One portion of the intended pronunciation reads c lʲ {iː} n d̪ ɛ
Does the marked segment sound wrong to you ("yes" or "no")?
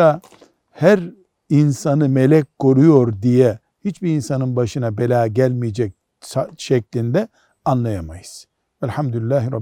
yes